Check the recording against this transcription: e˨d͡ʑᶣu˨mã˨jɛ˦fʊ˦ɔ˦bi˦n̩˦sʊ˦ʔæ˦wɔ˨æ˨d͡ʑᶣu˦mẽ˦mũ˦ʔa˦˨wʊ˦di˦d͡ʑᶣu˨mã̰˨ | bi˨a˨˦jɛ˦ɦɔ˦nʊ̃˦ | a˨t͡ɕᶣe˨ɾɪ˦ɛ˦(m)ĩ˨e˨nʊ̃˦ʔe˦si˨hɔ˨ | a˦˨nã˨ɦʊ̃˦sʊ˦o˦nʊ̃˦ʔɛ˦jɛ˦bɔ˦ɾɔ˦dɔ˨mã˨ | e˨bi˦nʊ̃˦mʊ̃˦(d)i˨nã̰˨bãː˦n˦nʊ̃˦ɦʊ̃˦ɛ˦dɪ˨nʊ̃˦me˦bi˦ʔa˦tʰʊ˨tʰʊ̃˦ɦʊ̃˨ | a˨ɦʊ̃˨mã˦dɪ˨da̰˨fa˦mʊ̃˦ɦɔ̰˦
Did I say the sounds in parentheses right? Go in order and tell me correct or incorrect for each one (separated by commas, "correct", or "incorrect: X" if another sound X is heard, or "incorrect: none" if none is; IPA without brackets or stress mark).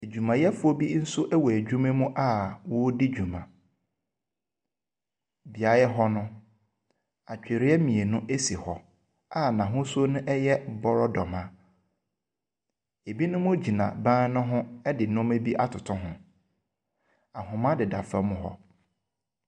correct, incorrect: d͡ʑ